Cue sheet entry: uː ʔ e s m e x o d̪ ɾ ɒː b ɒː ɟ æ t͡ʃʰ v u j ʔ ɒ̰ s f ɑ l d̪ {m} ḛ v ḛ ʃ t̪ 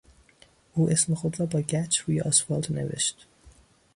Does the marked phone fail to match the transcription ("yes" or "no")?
yes